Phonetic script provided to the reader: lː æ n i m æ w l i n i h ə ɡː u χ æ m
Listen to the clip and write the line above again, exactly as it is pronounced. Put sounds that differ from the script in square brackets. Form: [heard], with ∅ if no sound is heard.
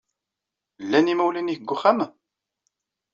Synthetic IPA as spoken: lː æ n i m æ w l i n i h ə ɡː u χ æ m